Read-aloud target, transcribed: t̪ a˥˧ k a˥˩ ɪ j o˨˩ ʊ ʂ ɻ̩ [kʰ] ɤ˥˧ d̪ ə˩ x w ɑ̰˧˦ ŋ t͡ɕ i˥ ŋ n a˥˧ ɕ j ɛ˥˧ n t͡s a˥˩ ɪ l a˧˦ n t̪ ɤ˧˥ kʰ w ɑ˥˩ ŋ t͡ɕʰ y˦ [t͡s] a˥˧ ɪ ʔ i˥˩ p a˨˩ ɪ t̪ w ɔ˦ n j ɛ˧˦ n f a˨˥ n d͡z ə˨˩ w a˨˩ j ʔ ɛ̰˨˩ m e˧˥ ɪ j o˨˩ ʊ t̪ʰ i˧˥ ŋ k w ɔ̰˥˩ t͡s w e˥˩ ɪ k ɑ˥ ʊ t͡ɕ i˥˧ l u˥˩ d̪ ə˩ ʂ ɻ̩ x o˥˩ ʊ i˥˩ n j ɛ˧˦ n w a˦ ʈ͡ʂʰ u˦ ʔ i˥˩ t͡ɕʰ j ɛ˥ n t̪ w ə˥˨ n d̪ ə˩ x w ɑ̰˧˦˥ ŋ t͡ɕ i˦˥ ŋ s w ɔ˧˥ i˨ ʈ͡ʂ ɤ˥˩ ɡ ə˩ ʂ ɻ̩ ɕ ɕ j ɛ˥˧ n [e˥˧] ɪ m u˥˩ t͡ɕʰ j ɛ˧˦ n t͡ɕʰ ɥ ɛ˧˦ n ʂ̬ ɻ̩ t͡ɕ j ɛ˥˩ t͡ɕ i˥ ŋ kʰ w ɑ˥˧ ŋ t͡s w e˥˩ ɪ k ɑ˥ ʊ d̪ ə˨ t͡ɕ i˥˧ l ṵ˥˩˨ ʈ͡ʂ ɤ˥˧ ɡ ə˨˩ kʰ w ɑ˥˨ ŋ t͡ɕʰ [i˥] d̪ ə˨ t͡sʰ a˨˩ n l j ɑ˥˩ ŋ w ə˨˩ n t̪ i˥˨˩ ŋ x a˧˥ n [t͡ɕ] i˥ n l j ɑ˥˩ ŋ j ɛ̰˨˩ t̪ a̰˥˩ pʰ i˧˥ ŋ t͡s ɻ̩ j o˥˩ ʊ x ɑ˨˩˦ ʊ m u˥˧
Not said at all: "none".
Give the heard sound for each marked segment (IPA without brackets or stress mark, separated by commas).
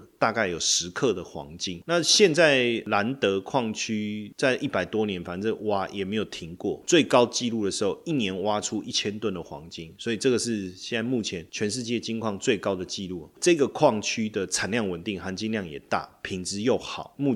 kʰ, t͡s, a˥˧, y˥, t͡ɕ